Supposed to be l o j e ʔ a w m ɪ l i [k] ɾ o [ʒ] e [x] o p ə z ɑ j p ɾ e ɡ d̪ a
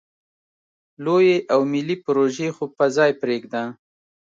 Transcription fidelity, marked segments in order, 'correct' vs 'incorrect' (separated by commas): incorrect, correct, correct